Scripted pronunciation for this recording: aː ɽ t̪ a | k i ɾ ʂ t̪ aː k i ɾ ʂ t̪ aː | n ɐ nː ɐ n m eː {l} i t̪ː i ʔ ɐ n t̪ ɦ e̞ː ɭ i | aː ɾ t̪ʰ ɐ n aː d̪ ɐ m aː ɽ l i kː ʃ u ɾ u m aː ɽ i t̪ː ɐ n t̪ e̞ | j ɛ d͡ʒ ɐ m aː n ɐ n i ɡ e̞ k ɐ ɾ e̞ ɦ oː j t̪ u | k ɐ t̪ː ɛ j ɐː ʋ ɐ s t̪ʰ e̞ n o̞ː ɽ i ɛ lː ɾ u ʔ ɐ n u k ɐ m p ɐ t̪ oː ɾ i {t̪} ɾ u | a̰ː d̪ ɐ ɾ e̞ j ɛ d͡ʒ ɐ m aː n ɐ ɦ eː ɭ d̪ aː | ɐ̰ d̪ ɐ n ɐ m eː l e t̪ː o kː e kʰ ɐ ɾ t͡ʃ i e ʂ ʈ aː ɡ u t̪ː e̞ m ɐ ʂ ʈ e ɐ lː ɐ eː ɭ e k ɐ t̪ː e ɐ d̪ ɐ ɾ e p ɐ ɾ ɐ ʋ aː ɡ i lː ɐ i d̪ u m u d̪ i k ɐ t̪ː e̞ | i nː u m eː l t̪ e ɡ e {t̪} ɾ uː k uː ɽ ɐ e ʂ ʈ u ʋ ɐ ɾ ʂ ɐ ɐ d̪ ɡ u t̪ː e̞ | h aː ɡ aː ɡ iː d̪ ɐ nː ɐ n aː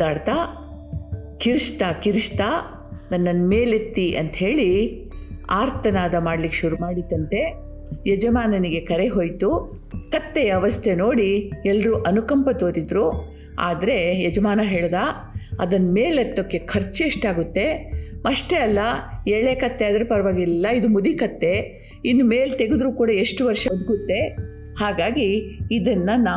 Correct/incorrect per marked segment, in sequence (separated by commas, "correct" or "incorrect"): correct, incorrect, incorrect